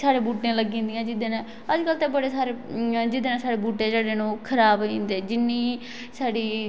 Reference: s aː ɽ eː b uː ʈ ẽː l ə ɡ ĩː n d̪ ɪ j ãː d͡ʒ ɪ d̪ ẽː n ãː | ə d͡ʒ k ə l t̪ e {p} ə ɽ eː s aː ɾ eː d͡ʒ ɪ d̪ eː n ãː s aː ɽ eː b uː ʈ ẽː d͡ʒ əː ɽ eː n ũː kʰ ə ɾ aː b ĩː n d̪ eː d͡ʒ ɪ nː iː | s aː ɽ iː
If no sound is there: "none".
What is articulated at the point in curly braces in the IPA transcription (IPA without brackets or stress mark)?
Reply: b